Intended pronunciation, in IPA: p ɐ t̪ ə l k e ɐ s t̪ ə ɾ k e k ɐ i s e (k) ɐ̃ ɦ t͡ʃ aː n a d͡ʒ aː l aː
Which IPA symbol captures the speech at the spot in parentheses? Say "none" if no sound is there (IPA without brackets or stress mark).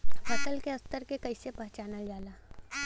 p